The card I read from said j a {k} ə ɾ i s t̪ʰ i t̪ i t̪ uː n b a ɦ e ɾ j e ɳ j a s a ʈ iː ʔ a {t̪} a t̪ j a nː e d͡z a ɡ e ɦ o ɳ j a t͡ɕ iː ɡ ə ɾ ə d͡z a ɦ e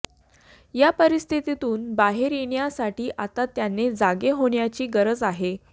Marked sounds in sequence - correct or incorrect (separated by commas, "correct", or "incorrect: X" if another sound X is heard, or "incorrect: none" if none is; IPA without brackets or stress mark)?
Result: incorrect: p, correct